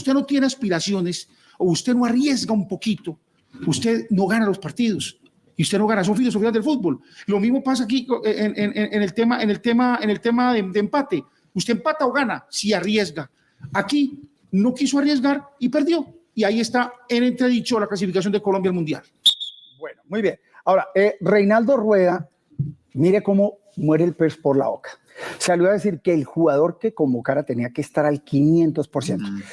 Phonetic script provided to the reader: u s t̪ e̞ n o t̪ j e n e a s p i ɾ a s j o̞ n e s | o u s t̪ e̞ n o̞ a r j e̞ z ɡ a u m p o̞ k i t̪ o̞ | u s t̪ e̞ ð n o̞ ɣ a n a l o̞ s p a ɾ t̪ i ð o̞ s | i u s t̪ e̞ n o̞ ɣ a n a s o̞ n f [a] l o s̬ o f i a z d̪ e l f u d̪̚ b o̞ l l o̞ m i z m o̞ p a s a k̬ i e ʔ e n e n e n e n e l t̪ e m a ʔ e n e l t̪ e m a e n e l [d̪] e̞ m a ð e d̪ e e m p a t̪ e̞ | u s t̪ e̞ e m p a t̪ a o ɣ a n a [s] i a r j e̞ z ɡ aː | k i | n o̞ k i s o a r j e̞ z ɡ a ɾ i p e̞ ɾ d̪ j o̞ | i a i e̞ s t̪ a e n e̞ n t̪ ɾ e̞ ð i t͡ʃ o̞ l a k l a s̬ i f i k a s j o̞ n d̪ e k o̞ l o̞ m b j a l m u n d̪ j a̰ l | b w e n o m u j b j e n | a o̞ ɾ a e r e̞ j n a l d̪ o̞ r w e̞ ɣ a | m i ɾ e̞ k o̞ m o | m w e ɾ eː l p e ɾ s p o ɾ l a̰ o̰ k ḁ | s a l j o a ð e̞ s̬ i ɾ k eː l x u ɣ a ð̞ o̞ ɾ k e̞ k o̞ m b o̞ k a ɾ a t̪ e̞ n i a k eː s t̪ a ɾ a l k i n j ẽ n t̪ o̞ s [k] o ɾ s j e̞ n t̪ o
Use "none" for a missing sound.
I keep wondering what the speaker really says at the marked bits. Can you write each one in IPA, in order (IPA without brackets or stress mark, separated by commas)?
i, t̪, s, p